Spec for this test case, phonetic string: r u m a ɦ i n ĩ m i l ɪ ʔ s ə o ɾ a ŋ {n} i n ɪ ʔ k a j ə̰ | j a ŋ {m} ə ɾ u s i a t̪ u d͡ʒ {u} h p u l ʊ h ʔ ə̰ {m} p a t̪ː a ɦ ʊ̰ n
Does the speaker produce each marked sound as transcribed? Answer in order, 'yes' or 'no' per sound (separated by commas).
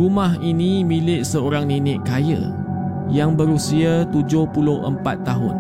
yes, no, no, yes